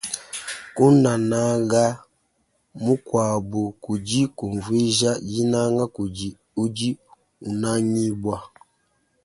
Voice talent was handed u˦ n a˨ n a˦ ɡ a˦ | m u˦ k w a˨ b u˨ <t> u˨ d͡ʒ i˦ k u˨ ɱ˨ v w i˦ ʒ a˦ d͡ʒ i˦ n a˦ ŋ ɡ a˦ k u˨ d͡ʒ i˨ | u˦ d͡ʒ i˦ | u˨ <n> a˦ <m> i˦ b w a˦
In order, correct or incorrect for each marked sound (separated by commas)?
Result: incorrect, correct, incorrect